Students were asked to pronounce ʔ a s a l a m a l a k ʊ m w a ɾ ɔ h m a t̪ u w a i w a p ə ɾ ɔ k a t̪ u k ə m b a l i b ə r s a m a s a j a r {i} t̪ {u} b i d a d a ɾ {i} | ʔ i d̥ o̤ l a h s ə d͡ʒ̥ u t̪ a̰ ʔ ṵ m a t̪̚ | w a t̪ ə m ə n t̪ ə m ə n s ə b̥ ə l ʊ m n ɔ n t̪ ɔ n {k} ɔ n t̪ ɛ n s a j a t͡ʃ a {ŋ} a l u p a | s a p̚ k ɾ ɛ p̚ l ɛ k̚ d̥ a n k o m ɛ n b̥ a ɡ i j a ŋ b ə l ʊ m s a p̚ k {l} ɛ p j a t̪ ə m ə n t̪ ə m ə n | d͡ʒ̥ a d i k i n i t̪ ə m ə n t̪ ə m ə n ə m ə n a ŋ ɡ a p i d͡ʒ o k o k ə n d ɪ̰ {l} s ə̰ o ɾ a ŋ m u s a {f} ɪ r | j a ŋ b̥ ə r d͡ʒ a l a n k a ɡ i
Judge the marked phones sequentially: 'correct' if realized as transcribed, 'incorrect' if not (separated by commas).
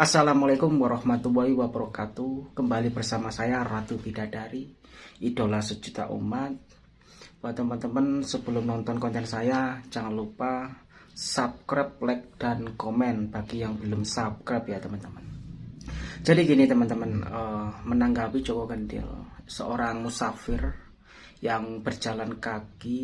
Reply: incorrect, correct, correct, correct, correct, incorrect, correct, correct